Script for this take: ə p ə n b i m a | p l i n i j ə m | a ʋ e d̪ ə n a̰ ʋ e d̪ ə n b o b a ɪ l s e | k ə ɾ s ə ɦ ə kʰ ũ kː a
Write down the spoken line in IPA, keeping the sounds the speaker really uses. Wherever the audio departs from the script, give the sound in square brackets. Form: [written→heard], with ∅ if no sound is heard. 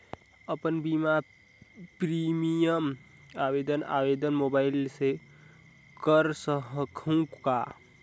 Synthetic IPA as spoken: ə p ə n b i m a | p [l→ɾ] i [n→m] i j ə m | a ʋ e d̪ ə n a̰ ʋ e d̪ ə n [b→m] o b a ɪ l s e | k ə ɾ s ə ɦ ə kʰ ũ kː a